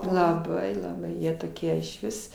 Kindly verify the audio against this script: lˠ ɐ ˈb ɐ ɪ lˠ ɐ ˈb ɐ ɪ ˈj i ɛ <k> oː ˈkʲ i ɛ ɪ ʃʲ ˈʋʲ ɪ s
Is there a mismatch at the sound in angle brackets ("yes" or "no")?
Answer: yes